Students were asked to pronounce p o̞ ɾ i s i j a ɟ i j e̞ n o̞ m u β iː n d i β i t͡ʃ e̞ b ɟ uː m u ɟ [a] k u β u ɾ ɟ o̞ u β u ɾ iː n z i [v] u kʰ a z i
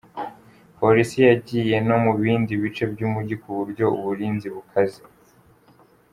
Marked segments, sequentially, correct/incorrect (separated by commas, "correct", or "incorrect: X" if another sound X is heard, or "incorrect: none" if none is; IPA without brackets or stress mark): incorrect: i, incorrect: β